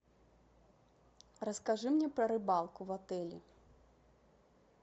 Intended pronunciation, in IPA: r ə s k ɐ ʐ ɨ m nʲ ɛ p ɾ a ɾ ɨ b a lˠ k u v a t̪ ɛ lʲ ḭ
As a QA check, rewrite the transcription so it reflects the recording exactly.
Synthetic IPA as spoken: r ɐ s k a ʐ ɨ m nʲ ɛ p ɾ ɐ ɾ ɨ b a lˠ k u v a t̪ ɛ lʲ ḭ